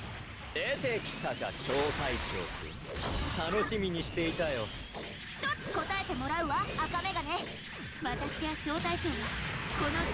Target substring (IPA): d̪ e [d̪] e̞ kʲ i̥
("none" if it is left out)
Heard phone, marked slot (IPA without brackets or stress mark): t̪